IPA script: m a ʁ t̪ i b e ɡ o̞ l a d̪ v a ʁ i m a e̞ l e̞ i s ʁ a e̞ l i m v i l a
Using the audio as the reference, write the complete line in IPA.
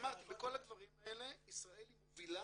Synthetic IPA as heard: m a ʁ t̪ i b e k o̞ l a d̪ v a ʁ i m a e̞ l e̞ i s ʁ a e̞ l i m v i l a